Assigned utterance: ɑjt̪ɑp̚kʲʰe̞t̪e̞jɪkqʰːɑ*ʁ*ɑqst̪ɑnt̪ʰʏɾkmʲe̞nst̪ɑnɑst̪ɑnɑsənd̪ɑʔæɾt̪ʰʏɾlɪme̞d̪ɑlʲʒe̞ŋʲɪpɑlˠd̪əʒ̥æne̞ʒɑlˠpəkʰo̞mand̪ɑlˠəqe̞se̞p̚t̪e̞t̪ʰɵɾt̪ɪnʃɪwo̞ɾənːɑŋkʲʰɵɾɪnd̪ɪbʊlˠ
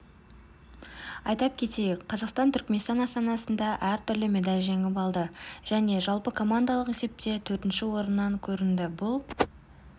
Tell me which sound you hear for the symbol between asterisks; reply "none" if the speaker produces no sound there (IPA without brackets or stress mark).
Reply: z